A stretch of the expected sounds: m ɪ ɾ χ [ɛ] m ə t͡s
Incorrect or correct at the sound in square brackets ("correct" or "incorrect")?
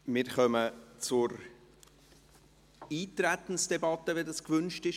incorrect